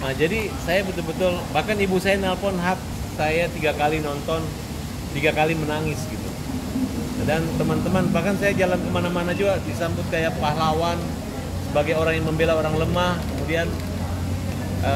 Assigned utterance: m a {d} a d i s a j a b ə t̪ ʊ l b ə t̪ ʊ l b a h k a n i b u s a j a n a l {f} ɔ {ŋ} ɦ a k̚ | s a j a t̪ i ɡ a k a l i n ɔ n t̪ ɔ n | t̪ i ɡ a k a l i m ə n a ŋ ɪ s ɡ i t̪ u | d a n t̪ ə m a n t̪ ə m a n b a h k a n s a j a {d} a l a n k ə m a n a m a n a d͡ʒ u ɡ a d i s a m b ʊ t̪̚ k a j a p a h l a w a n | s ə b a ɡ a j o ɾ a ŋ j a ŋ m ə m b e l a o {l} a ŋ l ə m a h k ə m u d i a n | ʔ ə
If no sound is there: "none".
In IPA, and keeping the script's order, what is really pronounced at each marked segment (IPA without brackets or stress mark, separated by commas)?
d͡ʒ, f, n, d͡ʒ, ɾ